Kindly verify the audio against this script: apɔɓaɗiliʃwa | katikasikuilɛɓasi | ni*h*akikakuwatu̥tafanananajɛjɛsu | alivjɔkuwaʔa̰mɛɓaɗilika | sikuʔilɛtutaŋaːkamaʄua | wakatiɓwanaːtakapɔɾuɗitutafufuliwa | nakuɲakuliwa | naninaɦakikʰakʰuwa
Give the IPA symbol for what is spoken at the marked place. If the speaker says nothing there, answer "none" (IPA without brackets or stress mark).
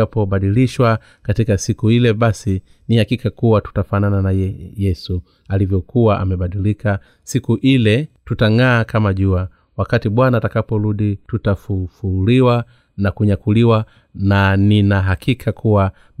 h